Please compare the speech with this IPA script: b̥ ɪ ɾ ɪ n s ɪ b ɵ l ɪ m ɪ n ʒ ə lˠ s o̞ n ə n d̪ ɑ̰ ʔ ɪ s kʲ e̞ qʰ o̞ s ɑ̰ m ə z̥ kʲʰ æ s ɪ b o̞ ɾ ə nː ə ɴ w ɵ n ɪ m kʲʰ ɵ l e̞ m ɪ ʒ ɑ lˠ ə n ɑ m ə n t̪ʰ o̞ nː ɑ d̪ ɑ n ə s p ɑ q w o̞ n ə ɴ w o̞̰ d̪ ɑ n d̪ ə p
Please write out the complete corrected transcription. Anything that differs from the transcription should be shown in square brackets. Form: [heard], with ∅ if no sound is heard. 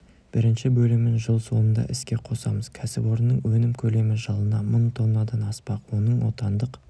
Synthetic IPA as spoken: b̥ ɪ ɾ ɪ n [ʃ] ɪ b ɵ l ɪ m ɪ n ʒ ə lˠ s o̞ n ə n d̪ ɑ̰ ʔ ɪ s kʲ e̞ qʰ o̞ s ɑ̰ m ə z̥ kʲʰ æ s ɪ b o̞ ɾ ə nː ə ɴ w ɵ n ɪ m kʲʰ ɵ l e̞ m ɪ ʒ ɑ lˠ ə n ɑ m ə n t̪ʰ o̞ nː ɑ d̪ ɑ n [ɑ] s p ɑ q w o̞ n ə ɴ w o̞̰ [t̪] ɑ n d̪ ə [q]